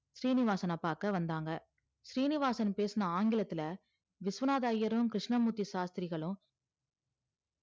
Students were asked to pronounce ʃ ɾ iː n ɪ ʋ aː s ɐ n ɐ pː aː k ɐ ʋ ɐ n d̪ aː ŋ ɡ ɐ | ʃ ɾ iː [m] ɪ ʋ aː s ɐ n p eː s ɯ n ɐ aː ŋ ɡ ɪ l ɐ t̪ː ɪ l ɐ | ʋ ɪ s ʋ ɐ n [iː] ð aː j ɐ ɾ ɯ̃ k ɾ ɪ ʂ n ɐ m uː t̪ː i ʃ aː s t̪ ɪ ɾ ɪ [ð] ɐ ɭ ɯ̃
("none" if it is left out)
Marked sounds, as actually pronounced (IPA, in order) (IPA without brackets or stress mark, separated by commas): n, aː, ɣ